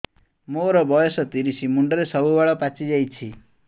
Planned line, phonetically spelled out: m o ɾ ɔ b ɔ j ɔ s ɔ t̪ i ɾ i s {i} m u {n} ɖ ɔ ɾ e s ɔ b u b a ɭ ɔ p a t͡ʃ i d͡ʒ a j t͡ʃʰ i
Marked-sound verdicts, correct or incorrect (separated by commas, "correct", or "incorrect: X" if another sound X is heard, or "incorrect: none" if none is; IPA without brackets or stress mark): correct, incorrect: ɳ